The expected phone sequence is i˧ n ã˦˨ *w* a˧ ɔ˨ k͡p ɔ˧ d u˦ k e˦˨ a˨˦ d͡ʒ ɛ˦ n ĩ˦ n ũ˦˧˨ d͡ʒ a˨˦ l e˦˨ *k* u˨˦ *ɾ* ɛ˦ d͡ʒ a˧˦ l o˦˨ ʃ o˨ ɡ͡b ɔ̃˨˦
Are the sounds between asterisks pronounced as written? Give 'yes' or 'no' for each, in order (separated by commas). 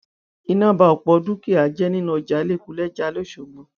no, yes, no